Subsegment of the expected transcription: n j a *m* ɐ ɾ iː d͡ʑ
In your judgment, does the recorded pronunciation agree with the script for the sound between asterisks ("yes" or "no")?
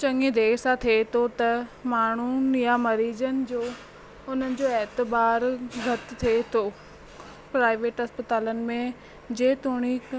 yes